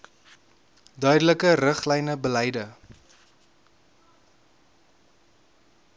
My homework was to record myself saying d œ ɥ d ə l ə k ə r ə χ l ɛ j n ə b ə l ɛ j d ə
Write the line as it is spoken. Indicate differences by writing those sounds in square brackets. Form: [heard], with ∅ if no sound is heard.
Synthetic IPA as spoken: d œ ɥ d ə l ə k ə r ə χ l ɛ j n ə b ə l ɛ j d ə